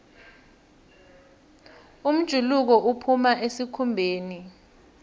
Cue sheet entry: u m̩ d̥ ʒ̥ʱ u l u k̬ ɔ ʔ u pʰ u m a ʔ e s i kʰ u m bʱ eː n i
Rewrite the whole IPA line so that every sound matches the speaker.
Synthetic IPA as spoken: u m̩ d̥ ʒ̥ʱ u l u k̬ ɔ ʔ u pʰ u m a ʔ e s i kʰ u m bʱ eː n i